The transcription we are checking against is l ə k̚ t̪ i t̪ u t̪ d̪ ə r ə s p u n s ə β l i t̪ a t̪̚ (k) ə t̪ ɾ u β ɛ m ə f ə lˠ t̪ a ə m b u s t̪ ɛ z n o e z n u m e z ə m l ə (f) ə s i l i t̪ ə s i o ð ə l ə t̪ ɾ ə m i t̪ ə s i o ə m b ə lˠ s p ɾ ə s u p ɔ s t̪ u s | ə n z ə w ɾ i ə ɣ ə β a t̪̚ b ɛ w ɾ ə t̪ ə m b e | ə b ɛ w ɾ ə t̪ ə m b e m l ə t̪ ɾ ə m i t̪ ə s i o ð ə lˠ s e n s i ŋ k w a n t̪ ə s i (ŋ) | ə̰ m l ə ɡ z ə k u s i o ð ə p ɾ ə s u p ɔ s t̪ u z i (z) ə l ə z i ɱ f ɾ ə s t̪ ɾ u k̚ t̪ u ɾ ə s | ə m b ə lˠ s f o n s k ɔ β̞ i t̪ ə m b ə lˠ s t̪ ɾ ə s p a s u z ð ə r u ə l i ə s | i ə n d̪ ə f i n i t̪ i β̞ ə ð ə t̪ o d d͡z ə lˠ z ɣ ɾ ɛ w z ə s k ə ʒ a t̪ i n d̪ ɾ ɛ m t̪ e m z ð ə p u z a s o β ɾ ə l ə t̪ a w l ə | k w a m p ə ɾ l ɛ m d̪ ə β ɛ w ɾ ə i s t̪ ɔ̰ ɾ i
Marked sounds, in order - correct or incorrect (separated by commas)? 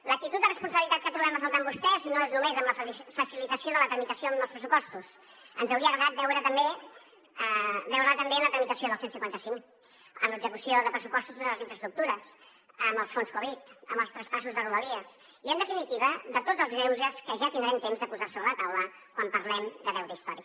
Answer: correct, correct, correct, incorrect